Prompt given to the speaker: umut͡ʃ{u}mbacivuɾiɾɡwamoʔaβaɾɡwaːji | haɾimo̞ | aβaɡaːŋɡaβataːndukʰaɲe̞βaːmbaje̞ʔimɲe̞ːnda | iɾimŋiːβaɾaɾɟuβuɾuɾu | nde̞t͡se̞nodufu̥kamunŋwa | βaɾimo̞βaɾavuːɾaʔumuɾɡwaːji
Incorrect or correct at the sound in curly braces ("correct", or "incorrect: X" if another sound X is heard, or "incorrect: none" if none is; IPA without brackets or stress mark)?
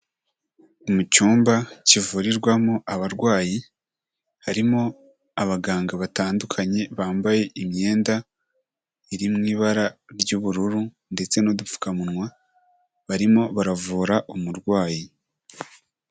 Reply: incorrect: uː